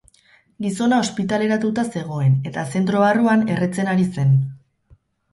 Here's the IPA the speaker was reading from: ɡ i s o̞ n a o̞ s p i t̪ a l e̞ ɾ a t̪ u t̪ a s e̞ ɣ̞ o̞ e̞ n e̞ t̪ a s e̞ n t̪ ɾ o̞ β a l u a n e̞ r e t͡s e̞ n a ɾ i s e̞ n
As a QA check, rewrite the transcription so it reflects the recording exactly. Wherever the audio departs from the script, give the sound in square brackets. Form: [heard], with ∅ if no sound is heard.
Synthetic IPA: ɡ i s o̞ n a o̞ s p i t̪ a l e̞ ɾ a t̪ u t̪ a s e̞ ɣ̞ o̞ e̞ n e̞ t̪ a s e̞ n t̪ ɾ o̞ β a [r] u a n e̞ r e t͡s e̞ n a ɾ i s e̞ n